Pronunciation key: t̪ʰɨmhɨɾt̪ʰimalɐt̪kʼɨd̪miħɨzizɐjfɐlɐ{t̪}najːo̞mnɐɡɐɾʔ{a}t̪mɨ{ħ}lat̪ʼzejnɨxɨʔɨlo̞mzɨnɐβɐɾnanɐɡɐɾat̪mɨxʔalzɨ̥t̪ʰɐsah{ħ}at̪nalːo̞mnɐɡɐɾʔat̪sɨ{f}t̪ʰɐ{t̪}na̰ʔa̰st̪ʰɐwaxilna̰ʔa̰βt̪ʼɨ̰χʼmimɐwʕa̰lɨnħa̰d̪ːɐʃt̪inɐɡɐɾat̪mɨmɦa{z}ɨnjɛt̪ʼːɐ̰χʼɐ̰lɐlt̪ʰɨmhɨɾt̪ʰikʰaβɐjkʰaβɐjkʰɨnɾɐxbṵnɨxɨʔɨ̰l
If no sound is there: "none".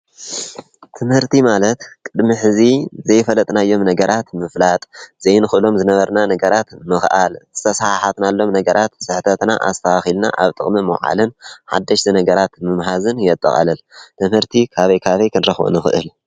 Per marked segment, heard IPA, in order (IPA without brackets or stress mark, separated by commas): t̪ʼ, a, f, ħ, ħ, t̪, z